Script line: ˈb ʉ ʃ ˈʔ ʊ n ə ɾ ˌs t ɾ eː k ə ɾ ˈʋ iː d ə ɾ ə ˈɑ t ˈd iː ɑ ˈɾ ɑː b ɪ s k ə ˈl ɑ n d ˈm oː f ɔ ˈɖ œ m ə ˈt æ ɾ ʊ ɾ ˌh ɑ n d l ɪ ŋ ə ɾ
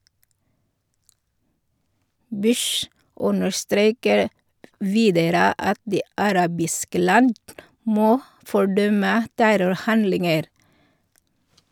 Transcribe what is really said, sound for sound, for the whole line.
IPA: ˈb ʉ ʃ ˈʔ ʊ n ə ɾ ˌs t ɾ eː k ə ɾ ˈʋ iː d ə ɾ ə ˈɑ t ˈd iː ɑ ˈɾ ɑː b ɪ s k ə ˈl ɑ n d ˈm oː f ɔ ˈɖ œ m ə ˈt æ ɾ ʊ ɾ ˌh ɑ n d l ɪ ŋ ə ɾ